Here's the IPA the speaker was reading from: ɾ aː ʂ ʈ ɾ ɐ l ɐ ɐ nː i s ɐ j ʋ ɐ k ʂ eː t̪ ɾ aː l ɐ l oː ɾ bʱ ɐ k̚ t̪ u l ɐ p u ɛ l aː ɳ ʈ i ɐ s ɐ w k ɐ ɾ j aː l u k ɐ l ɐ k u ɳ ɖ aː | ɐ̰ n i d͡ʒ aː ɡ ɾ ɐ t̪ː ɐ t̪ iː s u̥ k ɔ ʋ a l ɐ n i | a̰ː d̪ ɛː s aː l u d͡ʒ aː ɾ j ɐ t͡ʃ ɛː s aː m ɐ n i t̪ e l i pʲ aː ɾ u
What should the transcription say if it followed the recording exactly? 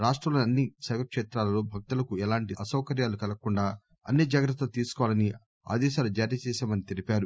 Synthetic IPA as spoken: ɾ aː ʂ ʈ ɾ ɐ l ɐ ɐ nː i s ɐ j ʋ ɐ k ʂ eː t̪ ɾ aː l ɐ l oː bʱ ɐ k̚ t̪ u l ɐ k u ɛ l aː ɳ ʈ i ɐ s ɐ w k ɐ ɾ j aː l u k ɐ l ɐ k u ɳ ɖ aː | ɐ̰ nː i d͡ʒ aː ɡ ɾ ɐ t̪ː ɐ t̪ iː s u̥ k ɔ ʋ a l ɐ n i | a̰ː d̪ ɛː ʃ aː l u d͡ʒ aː ɾ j ɐ t͡ʃ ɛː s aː m ɐ n i t̪ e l i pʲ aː ɾ u